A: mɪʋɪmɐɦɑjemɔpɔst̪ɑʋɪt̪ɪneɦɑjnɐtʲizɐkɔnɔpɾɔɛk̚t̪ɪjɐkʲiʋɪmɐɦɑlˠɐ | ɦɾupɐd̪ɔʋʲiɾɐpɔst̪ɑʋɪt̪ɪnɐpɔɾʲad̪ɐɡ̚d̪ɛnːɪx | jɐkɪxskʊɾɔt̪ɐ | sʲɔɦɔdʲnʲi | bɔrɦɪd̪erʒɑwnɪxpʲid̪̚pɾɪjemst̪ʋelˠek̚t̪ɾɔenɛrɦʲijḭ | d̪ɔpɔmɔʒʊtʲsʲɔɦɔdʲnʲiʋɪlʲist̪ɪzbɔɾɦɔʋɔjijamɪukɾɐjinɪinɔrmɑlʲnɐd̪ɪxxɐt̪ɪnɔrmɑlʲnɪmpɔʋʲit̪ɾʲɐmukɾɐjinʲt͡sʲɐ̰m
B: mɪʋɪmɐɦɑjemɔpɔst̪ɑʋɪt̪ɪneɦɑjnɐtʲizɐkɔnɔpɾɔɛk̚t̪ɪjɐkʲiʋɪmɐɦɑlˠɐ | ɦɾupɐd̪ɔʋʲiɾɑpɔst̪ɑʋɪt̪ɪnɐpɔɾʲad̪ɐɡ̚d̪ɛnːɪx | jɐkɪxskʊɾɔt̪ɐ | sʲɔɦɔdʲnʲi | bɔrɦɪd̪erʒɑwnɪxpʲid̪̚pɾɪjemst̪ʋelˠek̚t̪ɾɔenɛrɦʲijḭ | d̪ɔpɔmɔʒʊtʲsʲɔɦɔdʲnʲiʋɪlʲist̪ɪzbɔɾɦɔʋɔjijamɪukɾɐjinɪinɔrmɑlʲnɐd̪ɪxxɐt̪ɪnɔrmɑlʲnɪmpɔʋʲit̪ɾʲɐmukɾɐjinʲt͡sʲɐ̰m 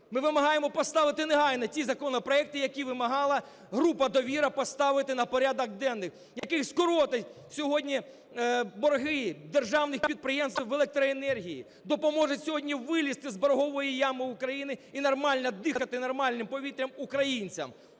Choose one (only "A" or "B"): A